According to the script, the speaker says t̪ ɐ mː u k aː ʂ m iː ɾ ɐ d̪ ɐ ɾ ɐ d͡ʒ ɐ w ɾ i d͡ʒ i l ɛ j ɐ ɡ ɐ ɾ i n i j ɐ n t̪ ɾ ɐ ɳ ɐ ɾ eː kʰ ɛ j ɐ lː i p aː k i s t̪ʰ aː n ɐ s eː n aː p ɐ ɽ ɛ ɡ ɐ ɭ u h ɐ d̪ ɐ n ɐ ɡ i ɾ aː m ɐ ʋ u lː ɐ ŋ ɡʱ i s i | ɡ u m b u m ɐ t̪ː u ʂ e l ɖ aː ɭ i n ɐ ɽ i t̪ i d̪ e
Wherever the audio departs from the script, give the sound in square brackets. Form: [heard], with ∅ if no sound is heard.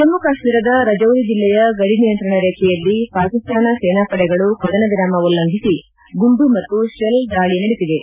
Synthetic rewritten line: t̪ ɐ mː u k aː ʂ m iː ɾ ɐ d̪ ɐ ɾ ɐ d͡ʒ ɐ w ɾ i d͡ʒ i [lː] ɛ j ɐ ɡ ɐ [ɽ] i n i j ɐ n t̪ ɾ ɐ ɳ ɐ ɾ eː kʰ ɛ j ɐ lː i p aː k i s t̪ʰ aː n ɐ s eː n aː p ɐ ɽ ɛ ɡ ɐ ɭ u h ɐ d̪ ɐ n ɐ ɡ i ɾ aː m ɐ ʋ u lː ɐ ŋ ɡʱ i s i | ɡ u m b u m ɐ t̪ː u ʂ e l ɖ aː ɭ i n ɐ ɽ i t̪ i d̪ e